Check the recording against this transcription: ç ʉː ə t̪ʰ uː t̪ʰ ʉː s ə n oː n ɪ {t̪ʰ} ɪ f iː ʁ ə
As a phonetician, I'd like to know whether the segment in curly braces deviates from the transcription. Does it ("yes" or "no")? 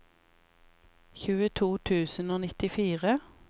yes